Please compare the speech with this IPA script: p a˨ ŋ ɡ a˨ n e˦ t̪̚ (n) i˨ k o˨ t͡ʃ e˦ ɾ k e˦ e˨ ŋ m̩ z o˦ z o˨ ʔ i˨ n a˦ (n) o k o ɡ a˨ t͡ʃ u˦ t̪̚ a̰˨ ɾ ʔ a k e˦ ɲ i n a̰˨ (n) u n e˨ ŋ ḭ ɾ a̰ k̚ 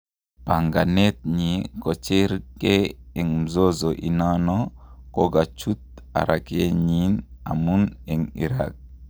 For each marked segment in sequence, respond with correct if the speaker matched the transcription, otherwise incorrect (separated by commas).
incorrect, correct, incorrect